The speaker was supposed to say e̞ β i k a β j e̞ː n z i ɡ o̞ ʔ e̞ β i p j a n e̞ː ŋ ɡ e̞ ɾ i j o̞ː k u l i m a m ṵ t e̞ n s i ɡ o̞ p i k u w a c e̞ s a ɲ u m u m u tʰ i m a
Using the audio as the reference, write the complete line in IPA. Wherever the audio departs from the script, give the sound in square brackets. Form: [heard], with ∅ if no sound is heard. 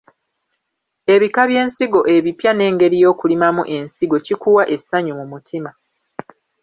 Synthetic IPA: e̞ β i k a β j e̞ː n [s] i ɡ o̞ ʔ e̞ β i p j a n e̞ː ŋ ɡ e̞ ɾ i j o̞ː k u l i m a m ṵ [ʔ] e̞ n s i ɡ o̞ [c] i k u w a [ʔ] e̞ s a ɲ u m u m u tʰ i m a